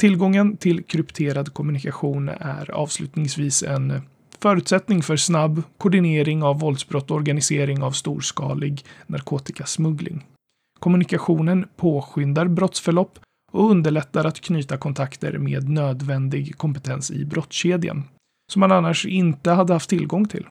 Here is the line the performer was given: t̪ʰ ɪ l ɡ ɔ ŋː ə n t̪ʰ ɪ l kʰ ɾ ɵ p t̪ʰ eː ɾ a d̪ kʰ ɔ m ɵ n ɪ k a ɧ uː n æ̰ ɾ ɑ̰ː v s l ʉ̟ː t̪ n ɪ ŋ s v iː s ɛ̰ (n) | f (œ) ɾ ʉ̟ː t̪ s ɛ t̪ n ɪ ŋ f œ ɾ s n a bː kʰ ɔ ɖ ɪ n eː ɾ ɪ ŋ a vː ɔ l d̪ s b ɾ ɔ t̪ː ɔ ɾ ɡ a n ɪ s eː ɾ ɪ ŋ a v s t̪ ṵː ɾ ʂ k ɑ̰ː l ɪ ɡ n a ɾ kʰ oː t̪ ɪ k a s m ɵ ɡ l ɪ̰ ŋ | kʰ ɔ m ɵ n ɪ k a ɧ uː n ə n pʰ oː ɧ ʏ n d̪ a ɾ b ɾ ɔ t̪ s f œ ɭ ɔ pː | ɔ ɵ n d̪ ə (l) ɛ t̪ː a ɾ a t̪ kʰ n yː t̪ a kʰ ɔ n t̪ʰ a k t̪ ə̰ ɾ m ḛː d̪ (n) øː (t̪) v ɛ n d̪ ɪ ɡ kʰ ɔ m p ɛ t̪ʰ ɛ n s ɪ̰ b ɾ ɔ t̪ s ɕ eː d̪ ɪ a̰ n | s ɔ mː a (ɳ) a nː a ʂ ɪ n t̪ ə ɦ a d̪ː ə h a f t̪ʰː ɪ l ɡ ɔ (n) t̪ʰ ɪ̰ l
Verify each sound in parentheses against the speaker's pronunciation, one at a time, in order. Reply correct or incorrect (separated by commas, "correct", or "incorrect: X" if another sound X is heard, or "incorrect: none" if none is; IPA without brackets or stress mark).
correct, incorrect: œː, incorrect: ɭ, correct, incorrect: d̪, incorrect: n, incorrect: ŋ